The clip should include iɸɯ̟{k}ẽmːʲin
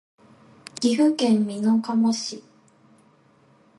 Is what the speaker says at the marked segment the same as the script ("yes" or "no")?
yes